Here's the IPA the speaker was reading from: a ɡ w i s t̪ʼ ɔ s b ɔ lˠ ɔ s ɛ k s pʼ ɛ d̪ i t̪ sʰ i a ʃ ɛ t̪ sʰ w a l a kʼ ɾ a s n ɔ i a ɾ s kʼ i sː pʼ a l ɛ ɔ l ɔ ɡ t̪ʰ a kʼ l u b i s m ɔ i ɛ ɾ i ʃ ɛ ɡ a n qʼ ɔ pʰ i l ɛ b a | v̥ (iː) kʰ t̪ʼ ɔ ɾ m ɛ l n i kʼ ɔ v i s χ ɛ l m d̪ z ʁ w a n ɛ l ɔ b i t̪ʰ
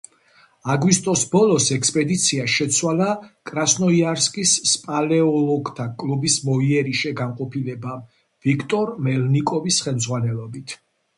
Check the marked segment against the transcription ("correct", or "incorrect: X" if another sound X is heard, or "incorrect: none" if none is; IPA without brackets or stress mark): incorrect: i